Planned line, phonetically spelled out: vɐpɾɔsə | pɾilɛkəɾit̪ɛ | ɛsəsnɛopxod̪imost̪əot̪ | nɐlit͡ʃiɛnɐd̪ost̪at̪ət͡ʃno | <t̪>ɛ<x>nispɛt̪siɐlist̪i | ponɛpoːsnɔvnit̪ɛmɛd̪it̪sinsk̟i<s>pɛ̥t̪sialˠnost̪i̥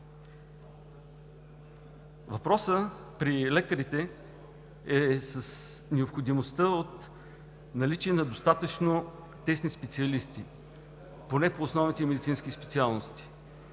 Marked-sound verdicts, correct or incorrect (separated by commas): correct, incorrect, correct